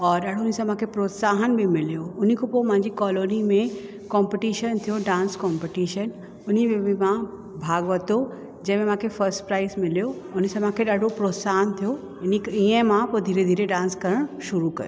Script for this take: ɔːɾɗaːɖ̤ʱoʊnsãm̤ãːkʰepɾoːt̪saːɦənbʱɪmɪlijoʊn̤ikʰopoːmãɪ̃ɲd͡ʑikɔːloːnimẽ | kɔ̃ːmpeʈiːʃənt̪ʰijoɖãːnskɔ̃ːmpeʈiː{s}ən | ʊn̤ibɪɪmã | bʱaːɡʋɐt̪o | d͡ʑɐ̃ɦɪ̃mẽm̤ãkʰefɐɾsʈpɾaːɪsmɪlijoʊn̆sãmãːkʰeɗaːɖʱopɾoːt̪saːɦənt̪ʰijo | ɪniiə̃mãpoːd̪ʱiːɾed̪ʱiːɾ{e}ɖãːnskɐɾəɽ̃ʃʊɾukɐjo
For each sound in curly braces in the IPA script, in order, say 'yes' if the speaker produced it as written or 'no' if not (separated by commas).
no, yes